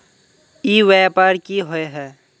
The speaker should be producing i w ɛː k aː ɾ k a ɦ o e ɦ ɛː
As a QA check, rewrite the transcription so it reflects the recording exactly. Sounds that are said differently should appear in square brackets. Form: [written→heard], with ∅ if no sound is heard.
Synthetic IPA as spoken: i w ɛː [k→p] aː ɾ k [a→i] ɦ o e ɦ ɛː